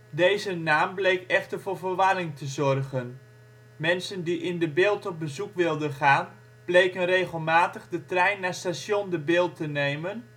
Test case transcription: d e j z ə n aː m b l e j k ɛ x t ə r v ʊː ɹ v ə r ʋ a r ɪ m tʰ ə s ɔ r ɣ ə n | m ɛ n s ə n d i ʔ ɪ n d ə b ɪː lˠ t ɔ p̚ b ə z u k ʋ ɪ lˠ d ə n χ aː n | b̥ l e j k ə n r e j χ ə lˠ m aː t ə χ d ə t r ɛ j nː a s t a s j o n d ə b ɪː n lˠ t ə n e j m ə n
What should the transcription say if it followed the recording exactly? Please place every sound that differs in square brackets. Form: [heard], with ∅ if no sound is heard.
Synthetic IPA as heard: d e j z ə n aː m b l e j k ɛ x t ə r v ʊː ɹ v ə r ʋ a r ɪ [ŋ] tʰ ə [z] ɔ r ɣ ə n | m ɛ n s ə n d i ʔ ɪ n d ə b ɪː lˠ t ɔ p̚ b ə z u k ʋ ɪ lˠ d ə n χ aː n | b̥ l e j k ə n r e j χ ə lˠ m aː t ə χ d ə t r ɛ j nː a s t a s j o n d ə b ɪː [∅] lˠ t ə n e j m ə n